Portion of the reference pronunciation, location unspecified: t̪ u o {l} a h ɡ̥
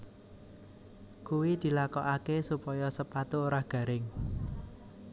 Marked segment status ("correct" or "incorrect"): incorrect